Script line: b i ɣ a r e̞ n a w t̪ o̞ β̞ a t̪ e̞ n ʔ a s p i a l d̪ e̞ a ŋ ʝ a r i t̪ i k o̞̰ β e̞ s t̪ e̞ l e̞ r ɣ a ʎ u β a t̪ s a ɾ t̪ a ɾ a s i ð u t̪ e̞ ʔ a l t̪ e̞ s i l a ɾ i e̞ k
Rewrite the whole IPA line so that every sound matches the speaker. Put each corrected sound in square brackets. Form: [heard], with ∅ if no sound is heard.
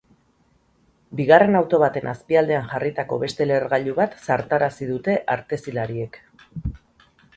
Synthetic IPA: b i ɣ a r e̞ n a w t̪ o̞ β̞ a t̪ e̞ n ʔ a s p i a l d̪ e̞ a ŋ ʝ a r i t̪ [a] k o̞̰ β e̞ s t̪ e̞ l e̞ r ɣ a ʎ u β a t̪ s a ɾ t̪ a ɾ a s i ð u t̪ e̞ ʔ a [ɾ] t̪ e̞ s i l a ɾ i e̞ k